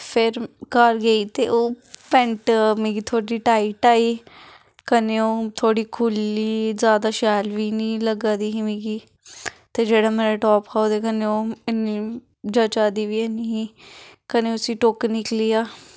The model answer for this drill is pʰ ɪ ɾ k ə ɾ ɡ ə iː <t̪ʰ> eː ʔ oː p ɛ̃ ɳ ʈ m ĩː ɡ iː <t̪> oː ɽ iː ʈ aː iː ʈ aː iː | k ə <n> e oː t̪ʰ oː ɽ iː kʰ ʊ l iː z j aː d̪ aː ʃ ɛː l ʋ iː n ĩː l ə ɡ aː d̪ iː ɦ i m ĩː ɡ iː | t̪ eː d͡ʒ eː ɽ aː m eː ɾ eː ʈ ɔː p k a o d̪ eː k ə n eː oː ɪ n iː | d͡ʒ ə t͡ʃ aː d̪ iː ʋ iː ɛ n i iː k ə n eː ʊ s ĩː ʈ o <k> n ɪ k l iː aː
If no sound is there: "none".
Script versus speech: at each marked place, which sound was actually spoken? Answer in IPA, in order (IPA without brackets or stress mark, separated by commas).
t̪, t̪ʰ, n, k